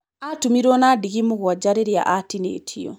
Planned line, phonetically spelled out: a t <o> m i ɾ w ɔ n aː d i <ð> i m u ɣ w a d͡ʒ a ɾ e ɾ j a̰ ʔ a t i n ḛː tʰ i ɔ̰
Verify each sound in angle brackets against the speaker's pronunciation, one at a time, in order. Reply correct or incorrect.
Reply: incorrect: u, incorrect: ɣ

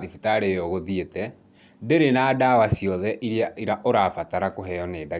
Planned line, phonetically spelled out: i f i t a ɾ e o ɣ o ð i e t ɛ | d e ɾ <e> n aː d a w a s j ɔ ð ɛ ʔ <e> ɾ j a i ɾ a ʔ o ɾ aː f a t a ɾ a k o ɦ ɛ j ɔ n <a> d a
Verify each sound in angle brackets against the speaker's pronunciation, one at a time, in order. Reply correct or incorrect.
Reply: correct, incorrect: i, incorrect: e

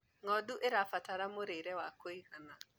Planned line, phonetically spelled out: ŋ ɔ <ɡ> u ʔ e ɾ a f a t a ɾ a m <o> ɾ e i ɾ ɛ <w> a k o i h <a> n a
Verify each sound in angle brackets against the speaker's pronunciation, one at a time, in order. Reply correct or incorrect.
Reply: incorrect: d, correct, correct, correct

